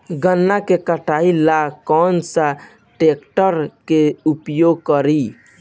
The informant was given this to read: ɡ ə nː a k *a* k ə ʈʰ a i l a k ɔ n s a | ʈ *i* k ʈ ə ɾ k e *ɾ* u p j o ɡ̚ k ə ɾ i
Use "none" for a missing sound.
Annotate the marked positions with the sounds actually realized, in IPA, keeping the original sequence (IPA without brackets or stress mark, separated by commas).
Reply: e, e, none